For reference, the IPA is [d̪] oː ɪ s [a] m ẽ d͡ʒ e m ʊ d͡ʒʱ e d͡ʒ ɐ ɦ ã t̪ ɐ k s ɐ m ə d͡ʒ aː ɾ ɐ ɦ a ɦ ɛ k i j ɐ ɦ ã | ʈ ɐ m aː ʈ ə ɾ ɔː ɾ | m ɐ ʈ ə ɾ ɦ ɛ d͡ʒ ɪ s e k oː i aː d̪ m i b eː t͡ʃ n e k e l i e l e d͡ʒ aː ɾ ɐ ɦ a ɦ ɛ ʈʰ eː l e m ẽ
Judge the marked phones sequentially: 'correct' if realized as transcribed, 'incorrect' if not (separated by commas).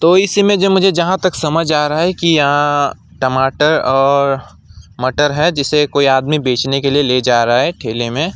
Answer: incorrect, incorrect